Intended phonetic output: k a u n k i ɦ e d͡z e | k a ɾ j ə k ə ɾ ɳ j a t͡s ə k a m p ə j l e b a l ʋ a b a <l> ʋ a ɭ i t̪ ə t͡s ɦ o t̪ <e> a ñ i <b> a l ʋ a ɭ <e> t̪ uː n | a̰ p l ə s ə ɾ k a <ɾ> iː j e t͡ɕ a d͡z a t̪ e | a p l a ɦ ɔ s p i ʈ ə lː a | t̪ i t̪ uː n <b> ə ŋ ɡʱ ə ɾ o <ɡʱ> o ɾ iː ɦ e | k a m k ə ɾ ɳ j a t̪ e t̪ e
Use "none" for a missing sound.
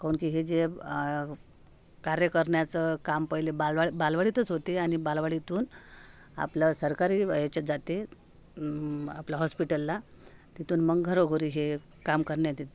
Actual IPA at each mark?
l, e, b, i, ɾ, m, ɡʱ

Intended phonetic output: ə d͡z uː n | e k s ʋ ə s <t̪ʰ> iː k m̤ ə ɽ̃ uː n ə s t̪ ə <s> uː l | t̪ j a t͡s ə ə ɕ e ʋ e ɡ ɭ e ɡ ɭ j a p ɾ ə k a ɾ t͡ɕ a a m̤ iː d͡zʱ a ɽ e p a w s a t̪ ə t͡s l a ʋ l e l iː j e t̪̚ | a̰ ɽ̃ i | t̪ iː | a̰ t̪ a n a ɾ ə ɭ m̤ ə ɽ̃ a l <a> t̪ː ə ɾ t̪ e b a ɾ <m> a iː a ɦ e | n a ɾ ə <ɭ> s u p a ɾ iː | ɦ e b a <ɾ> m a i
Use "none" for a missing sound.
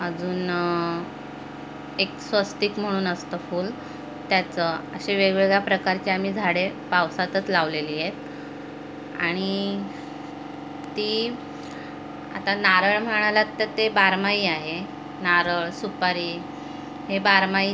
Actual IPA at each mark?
t̪, f, a, m, ɭ, ɾ

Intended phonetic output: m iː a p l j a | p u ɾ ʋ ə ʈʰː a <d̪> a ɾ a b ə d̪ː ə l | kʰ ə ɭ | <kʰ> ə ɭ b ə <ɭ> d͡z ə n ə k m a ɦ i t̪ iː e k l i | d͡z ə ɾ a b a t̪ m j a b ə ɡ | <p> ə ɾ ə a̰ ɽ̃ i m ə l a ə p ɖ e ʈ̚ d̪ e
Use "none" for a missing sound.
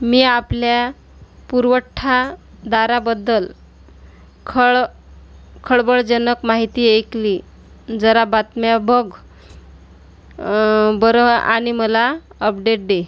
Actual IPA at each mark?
d̪, kʰ, ɭ, b

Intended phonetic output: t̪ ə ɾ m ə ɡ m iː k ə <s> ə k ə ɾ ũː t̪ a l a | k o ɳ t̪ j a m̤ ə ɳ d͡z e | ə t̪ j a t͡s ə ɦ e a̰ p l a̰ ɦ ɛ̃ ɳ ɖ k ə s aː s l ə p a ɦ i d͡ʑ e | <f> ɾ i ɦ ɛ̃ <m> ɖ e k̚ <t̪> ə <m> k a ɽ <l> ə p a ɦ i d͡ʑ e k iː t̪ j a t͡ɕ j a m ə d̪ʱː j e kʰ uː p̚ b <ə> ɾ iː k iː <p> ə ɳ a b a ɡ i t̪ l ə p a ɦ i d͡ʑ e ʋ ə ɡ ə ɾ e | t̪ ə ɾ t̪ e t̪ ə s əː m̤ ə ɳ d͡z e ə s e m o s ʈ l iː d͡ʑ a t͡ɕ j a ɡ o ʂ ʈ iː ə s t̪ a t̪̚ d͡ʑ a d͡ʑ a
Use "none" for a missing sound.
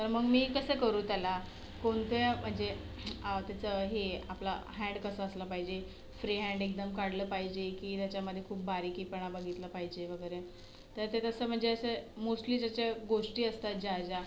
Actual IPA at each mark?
s, f, ɳ, d̪, m, l, a, p

